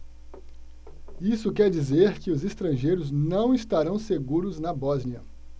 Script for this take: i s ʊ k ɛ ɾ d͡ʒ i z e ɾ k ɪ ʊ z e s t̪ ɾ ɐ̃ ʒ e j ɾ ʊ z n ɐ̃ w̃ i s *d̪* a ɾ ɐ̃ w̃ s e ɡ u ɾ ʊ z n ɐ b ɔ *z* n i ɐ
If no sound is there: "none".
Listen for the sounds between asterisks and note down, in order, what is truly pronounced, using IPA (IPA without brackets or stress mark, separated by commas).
t̪, z